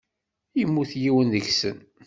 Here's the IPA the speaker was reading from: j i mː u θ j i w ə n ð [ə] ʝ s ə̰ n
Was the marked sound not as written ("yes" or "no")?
no